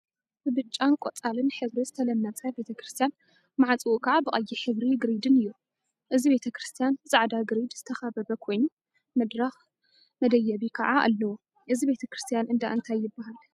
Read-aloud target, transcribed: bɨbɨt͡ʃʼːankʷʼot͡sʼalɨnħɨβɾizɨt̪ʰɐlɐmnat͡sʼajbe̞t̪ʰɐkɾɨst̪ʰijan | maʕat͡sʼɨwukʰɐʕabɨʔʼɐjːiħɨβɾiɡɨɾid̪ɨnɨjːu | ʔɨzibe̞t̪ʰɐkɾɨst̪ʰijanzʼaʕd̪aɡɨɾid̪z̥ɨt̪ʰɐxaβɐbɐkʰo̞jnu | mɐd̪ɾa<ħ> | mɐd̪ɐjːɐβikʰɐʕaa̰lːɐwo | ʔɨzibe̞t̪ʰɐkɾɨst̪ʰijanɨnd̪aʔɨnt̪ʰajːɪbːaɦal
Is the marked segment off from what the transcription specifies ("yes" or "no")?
yes